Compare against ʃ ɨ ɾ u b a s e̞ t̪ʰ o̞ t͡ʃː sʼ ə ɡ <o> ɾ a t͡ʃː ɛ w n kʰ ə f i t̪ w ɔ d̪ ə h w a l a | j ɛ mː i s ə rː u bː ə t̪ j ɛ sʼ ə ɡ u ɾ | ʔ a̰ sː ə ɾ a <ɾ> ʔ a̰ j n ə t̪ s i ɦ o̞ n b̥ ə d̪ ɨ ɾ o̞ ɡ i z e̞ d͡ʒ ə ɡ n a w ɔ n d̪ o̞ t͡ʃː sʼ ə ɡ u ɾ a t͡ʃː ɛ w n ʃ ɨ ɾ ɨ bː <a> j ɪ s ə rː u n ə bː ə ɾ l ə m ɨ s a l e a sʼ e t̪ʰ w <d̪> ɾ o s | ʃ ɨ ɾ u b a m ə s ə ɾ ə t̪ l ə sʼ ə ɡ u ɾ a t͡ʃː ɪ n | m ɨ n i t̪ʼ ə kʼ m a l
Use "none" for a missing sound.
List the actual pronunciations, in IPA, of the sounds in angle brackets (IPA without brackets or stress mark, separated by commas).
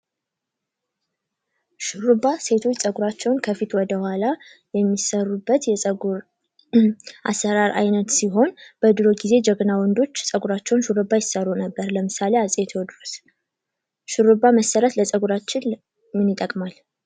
u, ɾ, a, d̪